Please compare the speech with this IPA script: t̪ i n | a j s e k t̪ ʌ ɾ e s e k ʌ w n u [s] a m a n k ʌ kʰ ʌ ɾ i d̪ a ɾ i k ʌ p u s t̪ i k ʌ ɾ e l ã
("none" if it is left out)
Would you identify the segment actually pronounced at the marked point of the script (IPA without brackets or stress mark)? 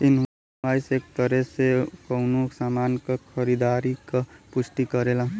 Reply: s